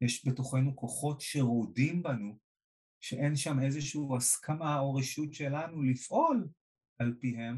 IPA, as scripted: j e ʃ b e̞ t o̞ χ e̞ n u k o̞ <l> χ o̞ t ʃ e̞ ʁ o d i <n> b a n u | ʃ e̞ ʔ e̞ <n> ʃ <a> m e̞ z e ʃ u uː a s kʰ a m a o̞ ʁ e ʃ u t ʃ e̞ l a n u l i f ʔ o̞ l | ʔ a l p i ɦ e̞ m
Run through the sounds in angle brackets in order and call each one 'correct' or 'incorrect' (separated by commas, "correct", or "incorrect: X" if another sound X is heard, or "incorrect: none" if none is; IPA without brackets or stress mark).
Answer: incorrect: none, incorrect: m, correct, correct